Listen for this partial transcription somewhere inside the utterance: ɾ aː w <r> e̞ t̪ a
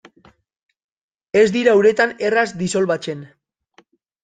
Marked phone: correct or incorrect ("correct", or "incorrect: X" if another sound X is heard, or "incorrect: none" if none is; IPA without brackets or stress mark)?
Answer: incorrect: ɾ